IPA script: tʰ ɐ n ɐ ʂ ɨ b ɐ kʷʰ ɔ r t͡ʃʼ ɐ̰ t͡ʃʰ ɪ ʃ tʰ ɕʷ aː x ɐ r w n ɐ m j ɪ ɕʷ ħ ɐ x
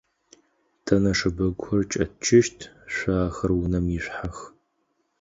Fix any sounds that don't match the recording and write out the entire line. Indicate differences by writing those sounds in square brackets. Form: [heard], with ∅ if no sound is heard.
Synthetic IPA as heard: tʰ ɐ n ɐ ʂ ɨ b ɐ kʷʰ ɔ r t͡ʃʼ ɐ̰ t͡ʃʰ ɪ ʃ tʰ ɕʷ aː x ɐ r w n ɐ m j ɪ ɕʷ ħ [a] x